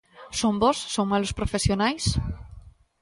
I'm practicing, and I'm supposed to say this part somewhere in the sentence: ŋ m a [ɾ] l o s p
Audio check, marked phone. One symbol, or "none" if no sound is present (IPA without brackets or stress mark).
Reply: none